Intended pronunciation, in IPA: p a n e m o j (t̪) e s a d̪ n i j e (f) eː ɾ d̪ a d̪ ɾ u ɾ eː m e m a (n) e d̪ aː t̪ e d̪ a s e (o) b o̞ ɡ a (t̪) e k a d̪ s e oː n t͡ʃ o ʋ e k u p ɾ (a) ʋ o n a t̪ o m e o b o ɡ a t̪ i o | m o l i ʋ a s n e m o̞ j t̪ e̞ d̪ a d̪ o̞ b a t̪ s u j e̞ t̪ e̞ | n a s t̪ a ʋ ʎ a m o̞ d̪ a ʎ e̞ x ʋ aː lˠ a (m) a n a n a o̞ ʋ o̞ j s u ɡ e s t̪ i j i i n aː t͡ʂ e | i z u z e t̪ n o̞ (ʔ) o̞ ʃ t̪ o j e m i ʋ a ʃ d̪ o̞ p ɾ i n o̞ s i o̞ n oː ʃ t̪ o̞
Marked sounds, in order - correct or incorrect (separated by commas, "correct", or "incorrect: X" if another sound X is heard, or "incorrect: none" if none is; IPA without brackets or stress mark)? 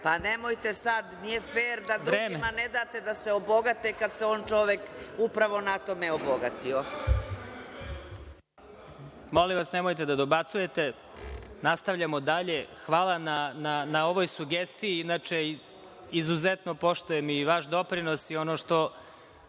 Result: correct, correct, correct, correct, correct, correct, incorrect: n, incorrect: p